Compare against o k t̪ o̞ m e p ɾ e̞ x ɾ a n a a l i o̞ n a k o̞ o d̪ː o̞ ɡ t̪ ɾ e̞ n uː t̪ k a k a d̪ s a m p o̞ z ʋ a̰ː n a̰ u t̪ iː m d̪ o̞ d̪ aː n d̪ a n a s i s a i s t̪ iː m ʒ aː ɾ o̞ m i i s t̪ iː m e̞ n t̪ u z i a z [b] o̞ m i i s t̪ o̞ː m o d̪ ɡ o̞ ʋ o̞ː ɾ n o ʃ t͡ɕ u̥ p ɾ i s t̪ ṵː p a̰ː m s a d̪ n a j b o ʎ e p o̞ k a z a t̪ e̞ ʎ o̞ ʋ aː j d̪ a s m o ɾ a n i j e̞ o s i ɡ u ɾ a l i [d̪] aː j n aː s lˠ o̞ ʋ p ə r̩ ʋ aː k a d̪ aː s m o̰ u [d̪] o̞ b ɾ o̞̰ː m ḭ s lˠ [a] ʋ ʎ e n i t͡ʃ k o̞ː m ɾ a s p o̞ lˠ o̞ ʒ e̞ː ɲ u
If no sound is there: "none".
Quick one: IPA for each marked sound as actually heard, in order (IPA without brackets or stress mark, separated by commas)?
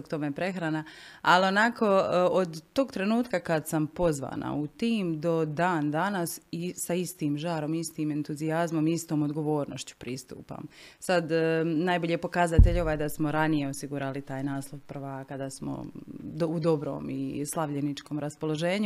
m, t̪, d̪, a